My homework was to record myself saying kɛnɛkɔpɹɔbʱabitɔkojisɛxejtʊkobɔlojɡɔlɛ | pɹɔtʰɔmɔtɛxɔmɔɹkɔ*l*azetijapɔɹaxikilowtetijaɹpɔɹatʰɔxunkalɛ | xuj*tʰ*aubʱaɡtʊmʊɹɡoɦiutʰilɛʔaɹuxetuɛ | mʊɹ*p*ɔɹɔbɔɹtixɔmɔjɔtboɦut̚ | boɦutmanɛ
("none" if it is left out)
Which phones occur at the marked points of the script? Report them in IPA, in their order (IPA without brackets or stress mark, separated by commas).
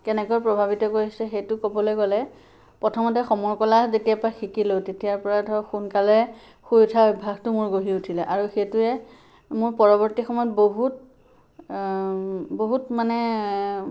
l, tʰ, p